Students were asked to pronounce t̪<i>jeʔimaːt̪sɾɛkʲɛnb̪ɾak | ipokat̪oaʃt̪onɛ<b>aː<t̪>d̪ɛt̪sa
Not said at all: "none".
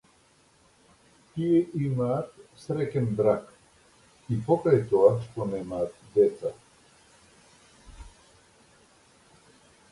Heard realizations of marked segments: i, m, t̪

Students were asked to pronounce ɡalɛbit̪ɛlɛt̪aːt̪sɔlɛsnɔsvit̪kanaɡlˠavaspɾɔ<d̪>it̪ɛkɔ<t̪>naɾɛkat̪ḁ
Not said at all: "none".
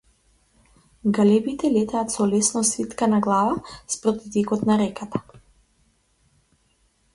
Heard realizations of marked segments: t̪, t̪

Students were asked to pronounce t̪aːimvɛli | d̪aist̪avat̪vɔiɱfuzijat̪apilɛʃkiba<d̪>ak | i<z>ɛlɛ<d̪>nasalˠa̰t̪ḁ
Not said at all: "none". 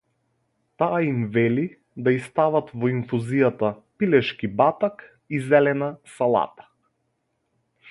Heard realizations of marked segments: t̪, z, none

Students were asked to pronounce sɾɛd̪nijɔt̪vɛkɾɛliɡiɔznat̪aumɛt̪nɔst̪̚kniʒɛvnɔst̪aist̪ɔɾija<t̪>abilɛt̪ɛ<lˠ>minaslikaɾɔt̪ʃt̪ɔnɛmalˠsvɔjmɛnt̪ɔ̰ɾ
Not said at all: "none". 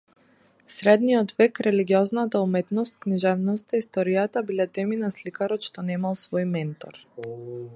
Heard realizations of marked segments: t̪, none

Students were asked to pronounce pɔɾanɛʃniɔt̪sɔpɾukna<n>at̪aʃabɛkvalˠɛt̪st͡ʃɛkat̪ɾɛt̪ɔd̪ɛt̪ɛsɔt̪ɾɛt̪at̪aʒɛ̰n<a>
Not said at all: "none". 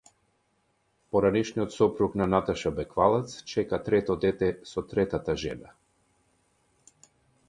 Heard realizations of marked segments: n, a

